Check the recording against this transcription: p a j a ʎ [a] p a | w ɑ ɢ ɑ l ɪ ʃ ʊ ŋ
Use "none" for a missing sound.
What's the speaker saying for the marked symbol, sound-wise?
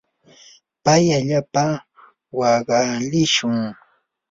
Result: a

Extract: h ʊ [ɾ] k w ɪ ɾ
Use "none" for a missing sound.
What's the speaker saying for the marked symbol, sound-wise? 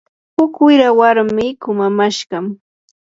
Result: none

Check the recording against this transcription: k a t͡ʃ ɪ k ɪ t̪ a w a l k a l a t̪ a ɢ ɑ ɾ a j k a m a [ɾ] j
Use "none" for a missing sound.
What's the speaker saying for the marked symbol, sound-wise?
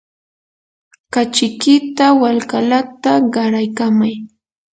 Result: none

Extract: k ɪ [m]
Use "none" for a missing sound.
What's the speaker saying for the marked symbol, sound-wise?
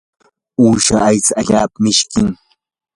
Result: ŋ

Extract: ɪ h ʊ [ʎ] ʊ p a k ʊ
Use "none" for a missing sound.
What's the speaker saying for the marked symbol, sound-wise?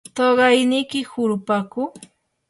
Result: ɾ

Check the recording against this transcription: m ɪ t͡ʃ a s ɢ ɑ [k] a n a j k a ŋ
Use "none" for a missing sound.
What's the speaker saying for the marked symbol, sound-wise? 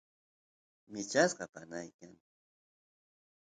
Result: p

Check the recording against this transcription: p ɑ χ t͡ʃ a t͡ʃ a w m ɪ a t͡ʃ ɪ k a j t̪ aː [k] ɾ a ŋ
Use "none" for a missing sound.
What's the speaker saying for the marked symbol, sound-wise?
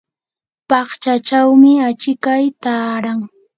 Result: none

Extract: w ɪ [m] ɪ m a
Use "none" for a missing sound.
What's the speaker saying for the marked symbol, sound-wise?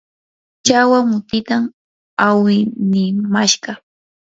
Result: n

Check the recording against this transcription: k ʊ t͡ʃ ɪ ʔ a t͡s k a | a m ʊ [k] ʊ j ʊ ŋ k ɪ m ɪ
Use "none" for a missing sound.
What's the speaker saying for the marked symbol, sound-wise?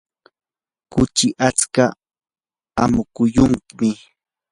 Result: k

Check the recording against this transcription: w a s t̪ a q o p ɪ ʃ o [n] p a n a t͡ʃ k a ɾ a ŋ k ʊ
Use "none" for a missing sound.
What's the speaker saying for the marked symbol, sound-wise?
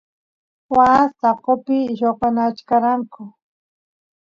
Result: none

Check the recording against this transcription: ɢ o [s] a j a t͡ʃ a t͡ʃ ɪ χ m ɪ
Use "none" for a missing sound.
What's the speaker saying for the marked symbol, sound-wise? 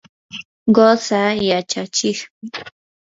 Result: s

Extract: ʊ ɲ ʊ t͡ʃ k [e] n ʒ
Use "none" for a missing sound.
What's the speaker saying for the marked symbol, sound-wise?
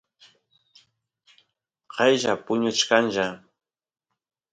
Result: a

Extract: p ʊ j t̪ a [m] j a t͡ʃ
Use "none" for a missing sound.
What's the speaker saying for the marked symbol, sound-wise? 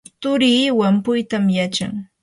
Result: m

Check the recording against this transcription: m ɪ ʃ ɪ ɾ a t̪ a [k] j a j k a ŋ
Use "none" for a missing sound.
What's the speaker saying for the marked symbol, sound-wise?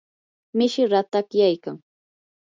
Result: k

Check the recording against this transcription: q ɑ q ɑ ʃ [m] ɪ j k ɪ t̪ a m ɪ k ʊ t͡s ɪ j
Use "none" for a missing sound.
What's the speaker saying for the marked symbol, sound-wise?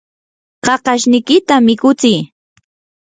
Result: n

